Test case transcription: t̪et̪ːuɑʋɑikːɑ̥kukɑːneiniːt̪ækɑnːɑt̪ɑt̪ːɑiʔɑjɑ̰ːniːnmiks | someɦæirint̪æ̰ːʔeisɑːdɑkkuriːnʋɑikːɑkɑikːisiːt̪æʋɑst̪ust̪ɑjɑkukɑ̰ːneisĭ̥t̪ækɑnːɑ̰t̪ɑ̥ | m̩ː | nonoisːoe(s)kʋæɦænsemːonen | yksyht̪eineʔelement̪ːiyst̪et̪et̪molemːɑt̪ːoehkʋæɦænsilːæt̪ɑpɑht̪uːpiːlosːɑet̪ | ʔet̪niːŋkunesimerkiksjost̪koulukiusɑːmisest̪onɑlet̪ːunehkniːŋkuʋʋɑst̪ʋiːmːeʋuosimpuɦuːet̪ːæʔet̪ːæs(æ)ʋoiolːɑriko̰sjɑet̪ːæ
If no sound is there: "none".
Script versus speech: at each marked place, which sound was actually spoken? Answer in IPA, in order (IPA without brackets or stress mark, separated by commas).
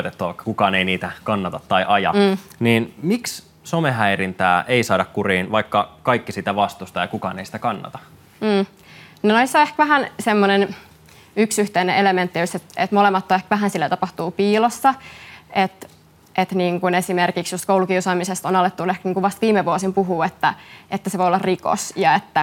h, e